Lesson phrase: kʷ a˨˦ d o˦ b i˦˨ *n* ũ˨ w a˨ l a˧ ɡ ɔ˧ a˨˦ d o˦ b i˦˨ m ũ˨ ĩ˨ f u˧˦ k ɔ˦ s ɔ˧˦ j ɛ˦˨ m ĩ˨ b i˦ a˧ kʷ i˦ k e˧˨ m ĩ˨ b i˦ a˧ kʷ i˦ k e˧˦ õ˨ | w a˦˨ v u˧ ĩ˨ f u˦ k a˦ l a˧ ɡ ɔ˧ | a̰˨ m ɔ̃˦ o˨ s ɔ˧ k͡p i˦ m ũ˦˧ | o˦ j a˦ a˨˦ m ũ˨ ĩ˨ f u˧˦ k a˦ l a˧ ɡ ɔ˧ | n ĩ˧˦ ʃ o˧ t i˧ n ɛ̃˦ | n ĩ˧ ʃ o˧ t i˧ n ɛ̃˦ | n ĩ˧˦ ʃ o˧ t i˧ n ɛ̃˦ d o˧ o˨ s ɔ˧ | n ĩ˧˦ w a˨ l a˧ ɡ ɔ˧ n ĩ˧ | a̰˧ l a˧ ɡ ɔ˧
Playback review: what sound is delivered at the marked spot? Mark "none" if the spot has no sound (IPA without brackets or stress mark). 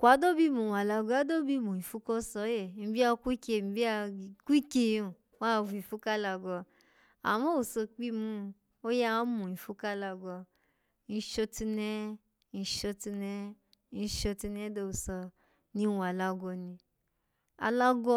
m